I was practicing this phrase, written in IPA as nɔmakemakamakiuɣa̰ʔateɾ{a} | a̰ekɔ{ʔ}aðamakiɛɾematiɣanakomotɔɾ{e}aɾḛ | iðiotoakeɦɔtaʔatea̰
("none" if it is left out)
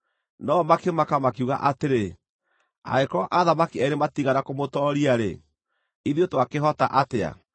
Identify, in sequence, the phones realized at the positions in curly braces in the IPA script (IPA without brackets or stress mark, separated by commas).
e, ʔ, i